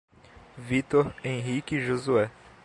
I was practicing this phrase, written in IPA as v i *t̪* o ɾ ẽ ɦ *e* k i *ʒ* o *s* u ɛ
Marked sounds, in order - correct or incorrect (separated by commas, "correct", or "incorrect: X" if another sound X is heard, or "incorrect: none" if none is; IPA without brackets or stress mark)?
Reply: correct, incorrect: i, correct, incorrect: z